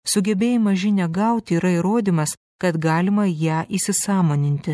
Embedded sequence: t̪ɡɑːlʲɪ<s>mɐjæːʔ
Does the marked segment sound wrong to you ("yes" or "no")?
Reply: yes